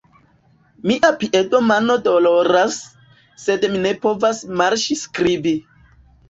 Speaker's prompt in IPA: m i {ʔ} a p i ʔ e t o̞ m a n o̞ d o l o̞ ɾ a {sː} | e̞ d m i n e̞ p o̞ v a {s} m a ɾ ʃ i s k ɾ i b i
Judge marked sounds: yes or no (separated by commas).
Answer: yes, yes, yes